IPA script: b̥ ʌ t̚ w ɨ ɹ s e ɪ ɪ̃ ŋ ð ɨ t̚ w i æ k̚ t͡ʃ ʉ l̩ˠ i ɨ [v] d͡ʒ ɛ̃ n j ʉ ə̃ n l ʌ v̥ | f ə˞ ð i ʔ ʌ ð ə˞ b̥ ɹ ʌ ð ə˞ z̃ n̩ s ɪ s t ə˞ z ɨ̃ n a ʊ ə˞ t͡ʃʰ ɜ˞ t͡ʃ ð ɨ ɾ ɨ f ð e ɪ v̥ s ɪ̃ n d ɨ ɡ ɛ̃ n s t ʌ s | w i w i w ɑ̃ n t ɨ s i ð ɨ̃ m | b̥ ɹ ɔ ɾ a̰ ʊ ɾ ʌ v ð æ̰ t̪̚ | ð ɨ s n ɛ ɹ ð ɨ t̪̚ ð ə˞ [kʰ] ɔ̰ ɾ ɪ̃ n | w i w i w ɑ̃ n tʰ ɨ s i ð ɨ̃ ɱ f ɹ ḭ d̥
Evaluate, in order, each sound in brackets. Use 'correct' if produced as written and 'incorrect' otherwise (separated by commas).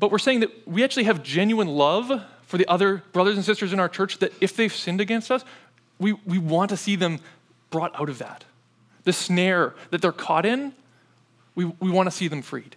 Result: correct, correct